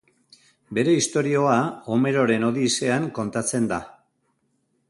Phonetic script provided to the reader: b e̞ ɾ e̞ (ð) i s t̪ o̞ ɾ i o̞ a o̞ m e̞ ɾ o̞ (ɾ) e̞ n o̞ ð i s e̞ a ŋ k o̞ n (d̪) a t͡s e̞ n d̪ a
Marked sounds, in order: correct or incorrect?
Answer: incorrect: none, correct, incorrect: t̪

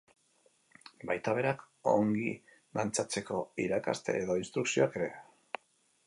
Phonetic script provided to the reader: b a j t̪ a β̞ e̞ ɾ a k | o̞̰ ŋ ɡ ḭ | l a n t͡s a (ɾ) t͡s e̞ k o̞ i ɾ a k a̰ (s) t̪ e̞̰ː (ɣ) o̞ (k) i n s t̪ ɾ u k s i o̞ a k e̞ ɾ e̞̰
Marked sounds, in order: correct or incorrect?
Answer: incorrect: none, correct, incorrect: ð, incorrect: none

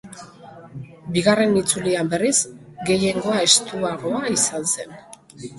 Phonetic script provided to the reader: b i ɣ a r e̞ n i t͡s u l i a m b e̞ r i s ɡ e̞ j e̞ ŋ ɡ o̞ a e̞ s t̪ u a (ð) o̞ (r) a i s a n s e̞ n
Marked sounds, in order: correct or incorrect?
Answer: incorrect: ɣ, incorrect: none

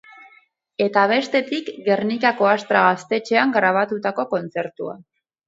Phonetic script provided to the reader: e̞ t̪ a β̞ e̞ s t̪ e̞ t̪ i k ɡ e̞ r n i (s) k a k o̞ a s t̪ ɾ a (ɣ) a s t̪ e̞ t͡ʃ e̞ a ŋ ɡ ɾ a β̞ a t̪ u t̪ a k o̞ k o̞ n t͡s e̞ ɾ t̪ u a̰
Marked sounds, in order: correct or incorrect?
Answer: incorrect: none, correct

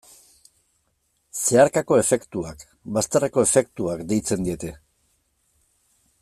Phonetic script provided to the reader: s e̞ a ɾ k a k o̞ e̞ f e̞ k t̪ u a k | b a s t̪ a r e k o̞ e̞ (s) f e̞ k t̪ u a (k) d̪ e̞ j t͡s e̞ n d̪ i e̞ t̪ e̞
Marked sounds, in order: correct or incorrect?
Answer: incorrect: none, correct

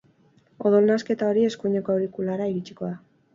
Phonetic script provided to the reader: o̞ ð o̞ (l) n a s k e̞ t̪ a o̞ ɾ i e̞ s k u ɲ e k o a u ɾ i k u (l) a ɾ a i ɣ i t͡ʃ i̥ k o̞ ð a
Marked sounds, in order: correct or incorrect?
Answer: correct, correct

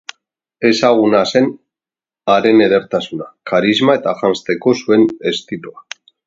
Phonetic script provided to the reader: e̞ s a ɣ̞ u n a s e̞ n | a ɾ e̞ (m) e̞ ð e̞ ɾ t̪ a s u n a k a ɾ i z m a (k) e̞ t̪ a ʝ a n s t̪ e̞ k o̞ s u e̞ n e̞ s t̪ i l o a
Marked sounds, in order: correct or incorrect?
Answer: incorrect: n, incorrect: none

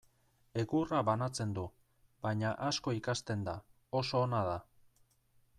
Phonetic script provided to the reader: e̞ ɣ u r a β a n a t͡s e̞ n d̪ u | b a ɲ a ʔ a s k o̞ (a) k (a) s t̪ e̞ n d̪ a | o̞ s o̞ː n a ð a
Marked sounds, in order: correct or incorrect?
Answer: incorrect: i, correct

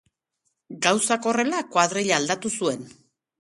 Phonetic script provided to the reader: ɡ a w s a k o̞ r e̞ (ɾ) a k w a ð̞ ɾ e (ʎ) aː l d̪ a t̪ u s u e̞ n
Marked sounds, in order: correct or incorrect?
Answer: incorrect: l, correct

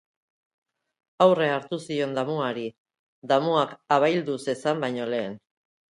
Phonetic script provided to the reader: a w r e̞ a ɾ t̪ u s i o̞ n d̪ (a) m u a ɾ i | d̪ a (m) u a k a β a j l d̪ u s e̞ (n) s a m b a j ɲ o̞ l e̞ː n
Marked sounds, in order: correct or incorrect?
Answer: correct, correct, incorrect: none

